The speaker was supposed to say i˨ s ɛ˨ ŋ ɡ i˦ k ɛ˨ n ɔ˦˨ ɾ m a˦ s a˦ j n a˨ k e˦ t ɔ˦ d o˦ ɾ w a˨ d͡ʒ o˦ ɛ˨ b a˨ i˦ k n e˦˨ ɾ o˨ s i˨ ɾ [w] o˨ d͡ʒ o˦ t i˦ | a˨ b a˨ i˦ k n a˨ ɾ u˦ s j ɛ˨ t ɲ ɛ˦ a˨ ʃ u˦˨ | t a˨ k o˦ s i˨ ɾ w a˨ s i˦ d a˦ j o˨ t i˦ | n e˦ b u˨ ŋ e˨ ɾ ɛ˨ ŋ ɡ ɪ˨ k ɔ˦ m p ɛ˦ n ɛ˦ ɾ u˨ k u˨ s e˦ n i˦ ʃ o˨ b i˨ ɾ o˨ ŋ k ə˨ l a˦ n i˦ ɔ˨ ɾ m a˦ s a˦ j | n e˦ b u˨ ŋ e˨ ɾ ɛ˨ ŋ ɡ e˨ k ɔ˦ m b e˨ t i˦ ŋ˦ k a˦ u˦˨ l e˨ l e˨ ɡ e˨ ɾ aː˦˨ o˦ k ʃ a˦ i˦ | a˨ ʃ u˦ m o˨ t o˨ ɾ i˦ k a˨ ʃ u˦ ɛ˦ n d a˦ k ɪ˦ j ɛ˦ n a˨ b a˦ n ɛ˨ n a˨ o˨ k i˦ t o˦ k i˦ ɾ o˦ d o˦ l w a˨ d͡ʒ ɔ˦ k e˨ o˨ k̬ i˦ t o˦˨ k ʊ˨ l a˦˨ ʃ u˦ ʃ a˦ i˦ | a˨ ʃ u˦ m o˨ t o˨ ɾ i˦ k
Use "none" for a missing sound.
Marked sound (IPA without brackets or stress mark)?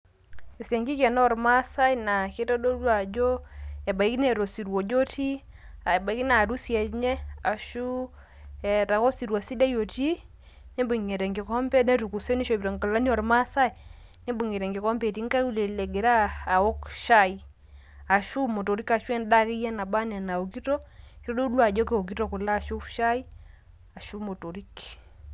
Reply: w